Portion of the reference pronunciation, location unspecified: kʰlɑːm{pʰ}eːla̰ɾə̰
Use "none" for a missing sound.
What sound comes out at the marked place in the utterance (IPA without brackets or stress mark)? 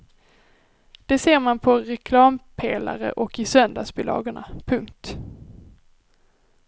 pʰ